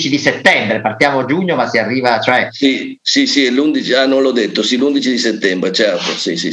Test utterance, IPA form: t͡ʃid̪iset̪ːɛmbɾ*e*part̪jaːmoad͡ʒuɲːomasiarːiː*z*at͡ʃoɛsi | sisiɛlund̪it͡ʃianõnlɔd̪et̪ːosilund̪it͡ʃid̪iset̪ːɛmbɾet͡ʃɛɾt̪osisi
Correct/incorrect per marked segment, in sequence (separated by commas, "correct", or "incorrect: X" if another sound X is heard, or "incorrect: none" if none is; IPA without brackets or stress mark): correct, incorrect: v